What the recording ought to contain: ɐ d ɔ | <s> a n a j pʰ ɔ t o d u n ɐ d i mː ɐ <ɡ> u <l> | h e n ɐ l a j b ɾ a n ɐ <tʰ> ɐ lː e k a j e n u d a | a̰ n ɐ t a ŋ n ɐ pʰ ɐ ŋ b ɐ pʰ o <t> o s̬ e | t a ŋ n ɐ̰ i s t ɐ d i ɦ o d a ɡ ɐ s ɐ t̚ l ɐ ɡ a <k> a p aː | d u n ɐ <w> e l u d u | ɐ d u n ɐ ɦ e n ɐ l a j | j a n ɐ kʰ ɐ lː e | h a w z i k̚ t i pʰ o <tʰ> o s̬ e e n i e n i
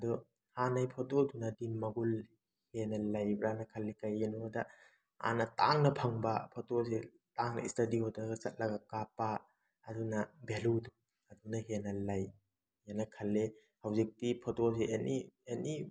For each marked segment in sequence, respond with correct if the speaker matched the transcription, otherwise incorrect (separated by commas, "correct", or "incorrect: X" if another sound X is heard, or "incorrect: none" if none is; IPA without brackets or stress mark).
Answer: incorrect: h, correct, correct, incorrect: kʰ, correct, correct, incorrect: b, incorrect: t